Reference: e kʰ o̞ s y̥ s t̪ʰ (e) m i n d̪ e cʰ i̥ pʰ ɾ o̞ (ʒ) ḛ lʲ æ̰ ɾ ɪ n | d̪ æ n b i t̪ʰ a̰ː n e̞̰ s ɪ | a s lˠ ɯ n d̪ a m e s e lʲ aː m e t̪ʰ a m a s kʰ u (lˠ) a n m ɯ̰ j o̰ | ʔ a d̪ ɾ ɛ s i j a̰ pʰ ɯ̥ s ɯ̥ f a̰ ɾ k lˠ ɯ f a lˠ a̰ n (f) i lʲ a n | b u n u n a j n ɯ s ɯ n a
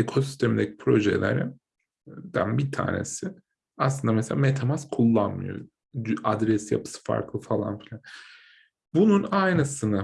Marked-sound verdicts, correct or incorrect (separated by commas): correct, correct, incorrect, correct